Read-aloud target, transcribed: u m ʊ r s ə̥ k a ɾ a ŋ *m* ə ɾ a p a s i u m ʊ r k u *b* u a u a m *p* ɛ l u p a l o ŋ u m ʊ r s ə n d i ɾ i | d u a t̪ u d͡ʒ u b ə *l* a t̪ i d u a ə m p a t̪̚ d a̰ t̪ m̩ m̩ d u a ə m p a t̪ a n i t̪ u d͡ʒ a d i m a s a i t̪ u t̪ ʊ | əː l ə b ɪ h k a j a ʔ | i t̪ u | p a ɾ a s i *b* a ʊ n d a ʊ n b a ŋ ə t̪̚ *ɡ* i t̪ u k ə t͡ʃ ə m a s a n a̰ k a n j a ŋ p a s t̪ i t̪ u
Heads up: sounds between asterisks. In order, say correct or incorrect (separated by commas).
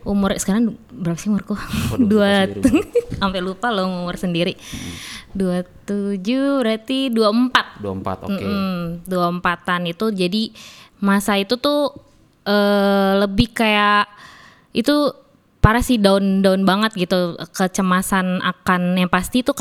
incorrect, incorrect, correct, incorrect, incorrect, correct